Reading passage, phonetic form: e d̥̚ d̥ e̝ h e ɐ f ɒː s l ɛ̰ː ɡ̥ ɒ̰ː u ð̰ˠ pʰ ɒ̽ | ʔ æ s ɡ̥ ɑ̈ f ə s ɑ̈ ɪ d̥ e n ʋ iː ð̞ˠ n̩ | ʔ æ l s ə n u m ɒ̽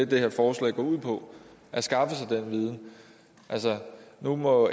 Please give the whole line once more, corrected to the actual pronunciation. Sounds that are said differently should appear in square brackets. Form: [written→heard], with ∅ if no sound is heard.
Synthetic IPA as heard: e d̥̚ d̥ e̝ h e ɐ f ɒː s l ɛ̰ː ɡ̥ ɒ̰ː u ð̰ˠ pʰ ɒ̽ | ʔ æ s ɡ̥ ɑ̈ f ə s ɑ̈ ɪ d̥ e n ʋ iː ð̞ˠ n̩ | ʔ æ l s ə n u m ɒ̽